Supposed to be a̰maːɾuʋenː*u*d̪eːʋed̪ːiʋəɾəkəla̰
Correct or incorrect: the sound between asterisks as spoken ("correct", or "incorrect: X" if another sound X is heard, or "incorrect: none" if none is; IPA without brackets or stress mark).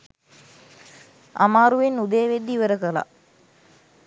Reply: correct